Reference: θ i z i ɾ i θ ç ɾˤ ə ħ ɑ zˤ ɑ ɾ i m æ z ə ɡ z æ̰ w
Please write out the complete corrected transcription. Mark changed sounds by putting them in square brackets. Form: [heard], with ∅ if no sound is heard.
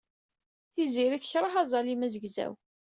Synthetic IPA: θ i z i ɾ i θ ç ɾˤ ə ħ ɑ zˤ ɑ [l] i m æ z ə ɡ z æ̰ w